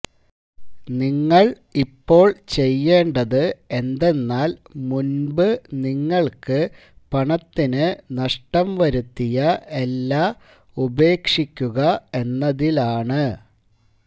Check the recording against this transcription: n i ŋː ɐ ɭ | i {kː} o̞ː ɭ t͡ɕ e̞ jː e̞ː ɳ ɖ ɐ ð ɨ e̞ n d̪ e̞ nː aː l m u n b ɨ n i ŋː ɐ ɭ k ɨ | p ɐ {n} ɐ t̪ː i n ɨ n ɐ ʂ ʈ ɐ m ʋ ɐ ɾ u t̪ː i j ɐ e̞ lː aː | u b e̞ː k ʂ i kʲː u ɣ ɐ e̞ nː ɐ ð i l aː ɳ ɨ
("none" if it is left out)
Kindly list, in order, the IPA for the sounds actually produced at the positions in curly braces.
pː, ɳ

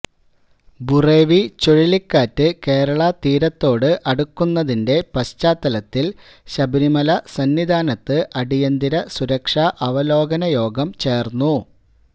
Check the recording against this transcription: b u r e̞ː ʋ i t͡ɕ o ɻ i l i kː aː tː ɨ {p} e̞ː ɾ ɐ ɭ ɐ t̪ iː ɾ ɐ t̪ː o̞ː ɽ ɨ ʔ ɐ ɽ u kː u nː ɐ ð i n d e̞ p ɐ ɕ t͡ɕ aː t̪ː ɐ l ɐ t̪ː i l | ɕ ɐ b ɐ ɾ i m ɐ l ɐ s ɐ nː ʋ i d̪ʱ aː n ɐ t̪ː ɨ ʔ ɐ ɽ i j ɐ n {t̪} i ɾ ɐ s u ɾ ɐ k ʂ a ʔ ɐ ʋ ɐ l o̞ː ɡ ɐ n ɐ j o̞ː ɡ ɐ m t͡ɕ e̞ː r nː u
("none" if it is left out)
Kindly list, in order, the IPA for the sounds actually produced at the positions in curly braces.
k, d̪

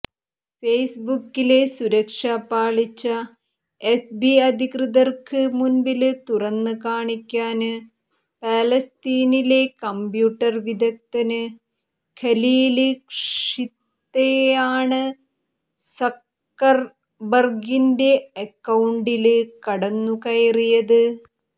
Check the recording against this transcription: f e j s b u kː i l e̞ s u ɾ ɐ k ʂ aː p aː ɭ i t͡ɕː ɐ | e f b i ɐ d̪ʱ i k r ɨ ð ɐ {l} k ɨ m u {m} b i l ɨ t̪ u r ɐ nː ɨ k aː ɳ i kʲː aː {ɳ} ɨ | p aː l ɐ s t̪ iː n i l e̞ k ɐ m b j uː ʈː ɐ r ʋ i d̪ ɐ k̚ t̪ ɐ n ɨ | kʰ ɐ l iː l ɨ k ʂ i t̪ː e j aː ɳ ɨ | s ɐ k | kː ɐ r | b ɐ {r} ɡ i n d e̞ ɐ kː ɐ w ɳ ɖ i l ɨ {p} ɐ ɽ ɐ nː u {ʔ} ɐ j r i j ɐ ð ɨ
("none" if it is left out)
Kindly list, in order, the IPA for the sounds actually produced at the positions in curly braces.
r, n, n, r, k, k

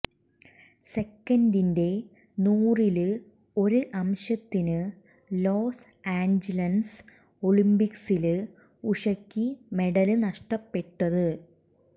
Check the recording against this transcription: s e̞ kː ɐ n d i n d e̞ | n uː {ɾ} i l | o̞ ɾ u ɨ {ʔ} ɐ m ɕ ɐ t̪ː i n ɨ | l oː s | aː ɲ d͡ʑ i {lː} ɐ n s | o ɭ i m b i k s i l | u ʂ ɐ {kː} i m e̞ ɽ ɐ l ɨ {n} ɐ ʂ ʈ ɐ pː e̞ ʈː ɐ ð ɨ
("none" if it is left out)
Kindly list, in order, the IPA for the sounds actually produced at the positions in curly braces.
r, ʔ, l, kː, n

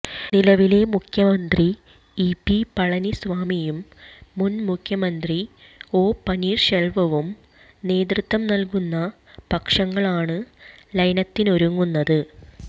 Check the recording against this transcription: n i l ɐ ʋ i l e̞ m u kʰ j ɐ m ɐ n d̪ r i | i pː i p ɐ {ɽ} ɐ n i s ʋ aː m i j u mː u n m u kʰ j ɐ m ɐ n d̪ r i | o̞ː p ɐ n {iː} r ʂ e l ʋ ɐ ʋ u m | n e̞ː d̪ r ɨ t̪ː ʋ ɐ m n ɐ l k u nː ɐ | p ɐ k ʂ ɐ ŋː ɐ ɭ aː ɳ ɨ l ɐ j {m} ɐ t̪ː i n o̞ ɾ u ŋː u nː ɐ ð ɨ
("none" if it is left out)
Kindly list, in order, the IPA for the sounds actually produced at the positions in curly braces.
ɭ, iː, n

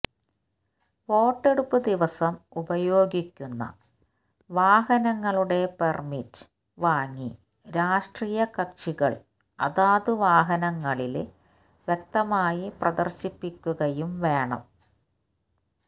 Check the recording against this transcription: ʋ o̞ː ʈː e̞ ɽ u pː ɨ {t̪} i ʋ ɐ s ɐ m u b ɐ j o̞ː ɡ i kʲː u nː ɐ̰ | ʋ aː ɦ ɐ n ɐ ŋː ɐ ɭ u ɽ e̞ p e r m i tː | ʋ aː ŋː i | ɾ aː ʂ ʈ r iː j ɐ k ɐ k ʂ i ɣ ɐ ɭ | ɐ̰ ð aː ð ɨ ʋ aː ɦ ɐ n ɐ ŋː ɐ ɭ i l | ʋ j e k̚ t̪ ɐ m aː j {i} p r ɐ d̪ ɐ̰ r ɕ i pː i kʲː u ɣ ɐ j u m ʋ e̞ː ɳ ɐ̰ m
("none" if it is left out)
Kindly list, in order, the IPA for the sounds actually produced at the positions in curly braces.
d̪, i

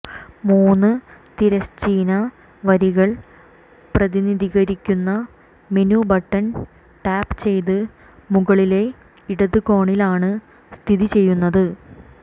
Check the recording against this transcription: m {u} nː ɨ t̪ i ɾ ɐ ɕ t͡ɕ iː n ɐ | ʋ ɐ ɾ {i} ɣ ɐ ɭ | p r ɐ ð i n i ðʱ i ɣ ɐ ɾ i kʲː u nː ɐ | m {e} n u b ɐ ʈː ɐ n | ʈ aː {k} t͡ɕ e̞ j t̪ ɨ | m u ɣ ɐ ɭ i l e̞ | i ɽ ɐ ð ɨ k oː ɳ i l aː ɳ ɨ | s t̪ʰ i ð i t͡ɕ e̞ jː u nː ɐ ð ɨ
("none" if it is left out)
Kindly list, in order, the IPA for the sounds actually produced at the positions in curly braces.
uː, i, e, p

